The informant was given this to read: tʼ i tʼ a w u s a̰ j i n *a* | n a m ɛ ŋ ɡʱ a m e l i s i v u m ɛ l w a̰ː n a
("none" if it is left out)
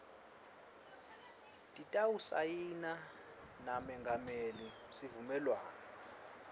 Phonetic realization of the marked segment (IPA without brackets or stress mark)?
a